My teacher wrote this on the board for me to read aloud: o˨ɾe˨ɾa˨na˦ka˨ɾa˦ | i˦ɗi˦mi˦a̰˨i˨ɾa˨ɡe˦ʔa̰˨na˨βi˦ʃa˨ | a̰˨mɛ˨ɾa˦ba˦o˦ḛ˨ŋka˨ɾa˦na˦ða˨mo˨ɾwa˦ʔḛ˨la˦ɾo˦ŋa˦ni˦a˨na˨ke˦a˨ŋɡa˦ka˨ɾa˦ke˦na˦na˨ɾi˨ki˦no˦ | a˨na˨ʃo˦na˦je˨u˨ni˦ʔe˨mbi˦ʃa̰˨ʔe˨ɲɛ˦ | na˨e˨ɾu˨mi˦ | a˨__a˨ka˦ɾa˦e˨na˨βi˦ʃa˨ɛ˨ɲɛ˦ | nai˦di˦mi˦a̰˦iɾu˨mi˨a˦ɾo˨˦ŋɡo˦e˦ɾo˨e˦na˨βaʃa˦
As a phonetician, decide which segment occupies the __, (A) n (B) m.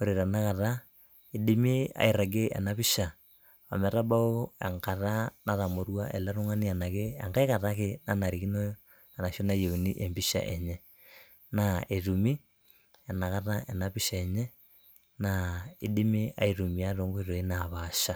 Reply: A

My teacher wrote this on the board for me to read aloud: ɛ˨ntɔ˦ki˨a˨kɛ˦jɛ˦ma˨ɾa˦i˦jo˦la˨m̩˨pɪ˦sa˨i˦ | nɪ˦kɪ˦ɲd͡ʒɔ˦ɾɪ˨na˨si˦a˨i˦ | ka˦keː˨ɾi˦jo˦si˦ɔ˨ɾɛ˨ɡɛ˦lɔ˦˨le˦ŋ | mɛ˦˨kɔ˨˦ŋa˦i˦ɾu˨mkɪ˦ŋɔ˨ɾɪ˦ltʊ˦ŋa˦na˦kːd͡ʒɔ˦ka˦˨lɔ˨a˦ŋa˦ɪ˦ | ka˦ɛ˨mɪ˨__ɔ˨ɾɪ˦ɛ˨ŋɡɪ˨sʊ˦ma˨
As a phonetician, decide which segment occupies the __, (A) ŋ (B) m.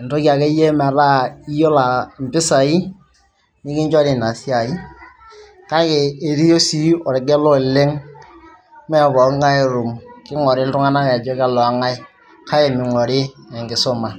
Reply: A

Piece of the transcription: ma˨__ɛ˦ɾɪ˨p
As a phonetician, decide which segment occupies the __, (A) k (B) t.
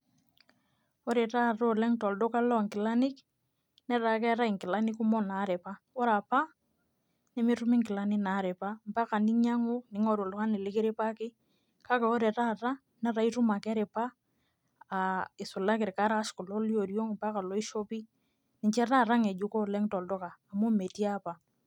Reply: A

